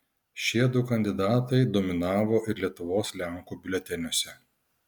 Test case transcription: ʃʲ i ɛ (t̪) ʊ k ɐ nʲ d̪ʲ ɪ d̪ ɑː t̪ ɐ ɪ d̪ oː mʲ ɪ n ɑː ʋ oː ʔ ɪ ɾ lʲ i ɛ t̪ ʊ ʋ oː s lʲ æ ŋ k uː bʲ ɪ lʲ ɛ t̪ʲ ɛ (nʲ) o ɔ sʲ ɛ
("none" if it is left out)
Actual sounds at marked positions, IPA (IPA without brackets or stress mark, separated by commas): d̪, nʲ